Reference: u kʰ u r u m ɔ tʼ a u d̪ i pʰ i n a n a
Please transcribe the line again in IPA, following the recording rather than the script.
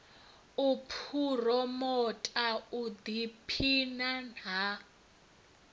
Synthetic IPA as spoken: u pʰ u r ɔ m ɔ tʼ a u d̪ i pʰ i n a n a